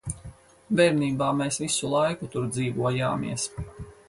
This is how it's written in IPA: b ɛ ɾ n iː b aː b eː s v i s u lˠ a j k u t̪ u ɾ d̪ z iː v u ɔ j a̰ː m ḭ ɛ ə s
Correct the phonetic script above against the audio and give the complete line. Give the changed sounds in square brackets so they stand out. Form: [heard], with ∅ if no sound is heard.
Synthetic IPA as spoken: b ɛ ɾ n iː b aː [m] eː s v i s u lˠ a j k u t̪ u ɾ d̪ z iː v u ɔ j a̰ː m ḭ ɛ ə s

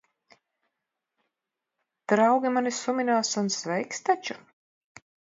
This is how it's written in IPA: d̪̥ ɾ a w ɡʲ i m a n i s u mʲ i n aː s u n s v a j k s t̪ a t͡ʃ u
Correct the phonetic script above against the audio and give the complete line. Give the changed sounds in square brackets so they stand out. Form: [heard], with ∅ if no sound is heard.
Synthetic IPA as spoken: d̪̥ ɾ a w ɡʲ i m a n i s u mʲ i n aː s u n s v [ɛ] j k s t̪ a t͡ʃ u

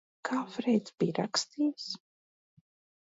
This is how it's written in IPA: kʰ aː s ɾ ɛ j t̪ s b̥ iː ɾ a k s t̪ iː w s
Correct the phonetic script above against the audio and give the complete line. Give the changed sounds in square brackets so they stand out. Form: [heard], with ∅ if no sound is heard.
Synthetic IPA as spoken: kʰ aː [f] ɾ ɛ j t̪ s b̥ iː ɾ a k s t̪ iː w s

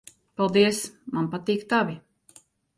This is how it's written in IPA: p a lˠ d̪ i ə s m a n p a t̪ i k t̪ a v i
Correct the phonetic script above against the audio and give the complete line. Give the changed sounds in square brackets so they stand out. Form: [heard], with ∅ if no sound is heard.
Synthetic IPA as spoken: p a lˠ d̪ i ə s m a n p a t̪ [iː] k t̪ a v i

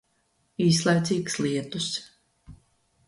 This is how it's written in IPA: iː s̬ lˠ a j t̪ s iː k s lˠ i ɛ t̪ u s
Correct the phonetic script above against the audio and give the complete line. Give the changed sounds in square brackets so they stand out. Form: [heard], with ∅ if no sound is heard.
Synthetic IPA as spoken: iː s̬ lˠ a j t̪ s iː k s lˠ i ɛ t̪ u s

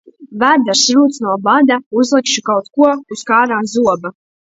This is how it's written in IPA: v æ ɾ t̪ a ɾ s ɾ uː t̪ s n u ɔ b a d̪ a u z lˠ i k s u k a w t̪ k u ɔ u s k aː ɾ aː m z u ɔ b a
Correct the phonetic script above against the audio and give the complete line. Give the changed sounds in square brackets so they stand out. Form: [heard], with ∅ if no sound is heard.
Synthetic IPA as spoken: v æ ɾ [d̪] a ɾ s ɾ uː t̪ s n u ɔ b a d̪ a u z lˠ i k [ʃ] u k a w t̪ k u ɔ u s k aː ɾ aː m z u ɔ b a

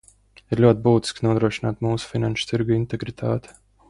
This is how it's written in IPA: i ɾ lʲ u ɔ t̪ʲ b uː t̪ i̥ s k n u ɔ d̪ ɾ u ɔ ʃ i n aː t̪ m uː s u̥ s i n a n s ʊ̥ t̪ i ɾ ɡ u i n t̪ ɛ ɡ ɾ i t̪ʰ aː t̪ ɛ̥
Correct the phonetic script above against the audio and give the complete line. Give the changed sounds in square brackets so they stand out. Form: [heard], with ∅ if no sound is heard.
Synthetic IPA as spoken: i ɾ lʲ u ɔ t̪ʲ b uː t̪ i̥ s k n u ɔ d̪ ɾ u ɔ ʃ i n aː t̪ m uː s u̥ [f] i n a n [ʃ] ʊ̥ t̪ i ɾ ɡ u i n t̪ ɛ ɡ ɾ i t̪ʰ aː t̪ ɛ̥

